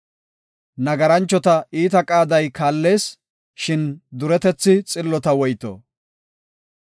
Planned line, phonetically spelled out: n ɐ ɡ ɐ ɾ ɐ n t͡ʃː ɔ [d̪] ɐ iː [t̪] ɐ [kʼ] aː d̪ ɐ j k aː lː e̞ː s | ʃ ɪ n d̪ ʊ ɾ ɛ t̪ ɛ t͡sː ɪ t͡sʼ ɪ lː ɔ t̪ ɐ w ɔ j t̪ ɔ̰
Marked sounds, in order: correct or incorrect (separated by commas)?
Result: incorrect, correct, correct